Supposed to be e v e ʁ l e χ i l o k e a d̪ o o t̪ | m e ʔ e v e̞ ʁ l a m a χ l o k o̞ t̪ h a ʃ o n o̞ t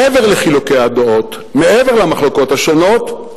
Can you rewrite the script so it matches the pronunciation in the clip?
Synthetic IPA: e v e ʁ l e χ i l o k e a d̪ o o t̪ | m e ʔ e v e̞ ʁ l a m a χ l o k o̞ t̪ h a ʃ o n o̞ t